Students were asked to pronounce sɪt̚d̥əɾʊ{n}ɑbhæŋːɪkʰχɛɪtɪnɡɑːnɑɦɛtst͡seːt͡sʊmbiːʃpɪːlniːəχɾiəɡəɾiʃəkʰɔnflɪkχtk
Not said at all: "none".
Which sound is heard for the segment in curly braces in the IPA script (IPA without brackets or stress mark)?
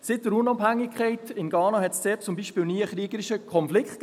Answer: n